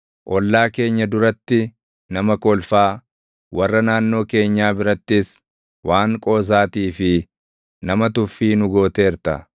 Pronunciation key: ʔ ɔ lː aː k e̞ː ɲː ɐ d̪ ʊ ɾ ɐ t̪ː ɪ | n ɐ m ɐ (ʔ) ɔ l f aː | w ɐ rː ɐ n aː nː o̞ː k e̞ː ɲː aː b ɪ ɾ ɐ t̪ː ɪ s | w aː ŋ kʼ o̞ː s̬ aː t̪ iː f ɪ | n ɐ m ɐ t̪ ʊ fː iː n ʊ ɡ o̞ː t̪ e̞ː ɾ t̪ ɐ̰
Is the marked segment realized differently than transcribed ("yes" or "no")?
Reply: yes